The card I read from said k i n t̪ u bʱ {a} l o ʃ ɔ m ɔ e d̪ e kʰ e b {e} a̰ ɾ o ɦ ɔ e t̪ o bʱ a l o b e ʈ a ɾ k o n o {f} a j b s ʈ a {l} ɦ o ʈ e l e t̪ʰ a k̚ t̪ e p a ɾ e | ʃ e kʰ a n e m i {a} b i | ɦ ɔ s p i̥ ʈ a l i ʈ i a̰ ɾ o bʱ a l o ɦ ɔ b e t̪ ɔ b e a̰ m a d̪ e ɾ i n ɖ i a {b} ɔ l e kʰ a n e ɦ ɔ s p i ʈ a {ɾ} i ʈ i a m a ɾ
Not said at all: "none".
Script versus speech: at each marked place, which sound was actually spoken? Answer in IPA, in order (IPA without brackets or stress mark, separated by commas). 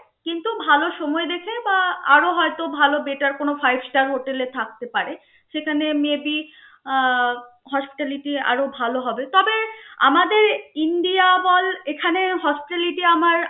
a, a, f, ɾ, e, b, l